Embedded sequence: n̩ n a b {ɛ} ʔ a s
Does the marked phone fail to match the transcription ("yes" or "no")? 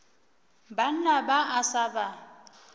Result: yes